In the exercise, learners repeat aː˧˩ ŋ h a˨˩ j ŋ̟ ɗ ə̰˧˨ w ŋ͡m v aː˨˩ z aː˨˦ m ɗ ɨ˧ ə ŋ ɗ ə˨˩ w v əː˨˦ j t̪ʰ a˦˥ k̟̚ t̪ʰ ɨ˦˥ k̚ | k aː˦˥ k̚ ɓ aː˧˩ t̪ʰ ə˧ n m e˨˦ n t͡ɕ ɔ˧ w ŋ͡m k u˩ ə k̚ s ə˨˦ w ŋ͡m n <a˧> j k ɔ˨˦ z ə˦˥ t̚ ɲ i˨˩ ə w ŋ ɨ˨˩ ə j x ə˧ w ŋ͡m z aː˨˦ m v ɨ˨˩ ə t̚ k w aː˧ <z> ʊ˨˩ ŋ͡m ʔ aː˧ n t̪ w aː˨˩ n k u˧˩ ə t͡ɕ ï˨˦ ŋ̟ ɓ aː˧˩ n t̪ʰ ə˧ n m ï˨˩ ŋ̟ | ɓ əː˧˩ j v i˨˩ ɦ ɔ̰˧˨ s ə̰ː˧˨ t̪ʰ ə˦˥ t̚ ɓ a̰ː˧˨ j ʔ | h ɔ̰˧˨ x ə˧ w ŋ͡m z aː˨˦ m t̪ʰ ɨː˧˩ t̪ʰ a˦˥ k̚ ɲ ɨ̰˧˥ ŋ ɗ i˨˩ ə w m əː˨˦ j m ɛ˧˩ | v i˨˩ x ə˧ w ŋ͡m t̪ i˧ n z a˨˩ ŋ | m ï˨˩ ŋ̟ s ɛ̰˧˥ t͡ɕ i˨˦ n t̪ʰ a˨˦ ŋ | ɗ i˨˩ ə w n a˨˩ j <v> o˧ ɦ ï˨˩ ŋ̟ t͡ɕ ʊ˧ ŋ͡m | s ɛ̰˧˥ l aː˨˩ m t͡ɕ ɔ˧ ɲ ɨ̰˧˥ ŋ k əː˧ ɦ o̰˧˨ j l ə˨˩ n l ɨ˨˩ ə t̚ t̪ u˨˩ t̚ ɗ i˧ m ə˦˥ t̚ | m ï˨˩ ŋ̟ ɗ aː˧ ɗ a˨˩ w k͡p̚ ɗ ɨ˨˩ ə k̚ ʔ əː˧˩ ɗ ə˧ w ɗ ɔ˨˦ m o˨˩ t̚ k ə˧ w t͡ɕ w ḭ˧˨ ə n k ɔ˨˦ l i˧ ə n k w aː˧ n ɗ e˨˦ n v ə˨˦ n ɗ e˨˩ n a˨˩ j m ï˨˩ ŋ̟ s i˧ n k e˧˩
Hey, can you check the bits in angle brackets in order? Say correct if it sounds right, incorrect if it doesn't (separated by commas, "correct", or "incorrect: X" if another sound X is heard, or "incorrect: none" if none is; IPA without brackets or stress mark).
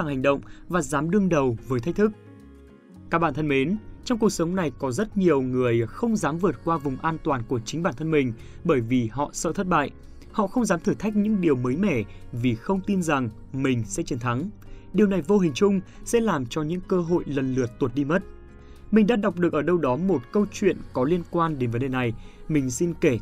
incorrect: a˨˩, incorrect: v, correct